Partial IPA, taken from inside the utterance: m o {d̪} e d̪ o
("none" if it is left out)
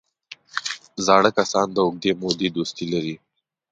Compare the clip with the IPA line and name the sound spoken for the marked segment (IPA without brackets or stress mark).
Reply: d̪